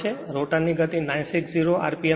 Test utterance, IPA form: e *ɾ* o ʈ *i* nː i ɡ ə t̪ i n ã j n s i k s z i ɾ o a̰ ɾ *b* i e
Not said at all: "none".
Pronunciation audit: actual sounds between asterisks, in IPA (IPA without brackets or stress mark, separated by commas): ɾ, a, p